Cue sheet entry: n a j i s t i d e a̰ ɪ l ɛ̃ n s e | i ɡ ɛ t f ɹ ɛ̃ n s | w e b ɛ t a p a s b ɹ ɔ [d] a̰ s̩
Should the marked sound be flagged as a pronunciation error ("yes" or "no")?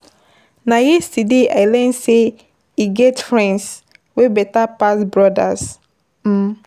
no